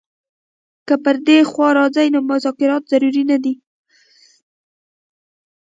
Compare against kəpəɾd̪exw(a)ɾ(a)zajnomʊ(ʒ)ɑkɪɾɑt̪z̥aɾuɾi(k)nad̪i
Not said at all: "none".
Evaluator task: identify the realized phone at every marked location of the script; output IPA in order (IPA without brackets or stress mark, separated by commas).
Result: ɑ, ɑ, z, none